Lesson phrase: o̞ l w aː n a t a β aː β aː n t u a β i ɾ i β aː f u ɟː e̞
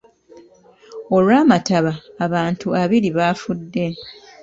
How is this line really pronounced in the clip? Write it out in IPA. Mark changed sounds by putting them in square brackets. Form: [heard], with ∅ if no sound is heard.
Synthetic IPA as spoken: o̞ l w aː [m] a t a β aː β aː n t u a β i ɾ i β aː f u [dː] e̞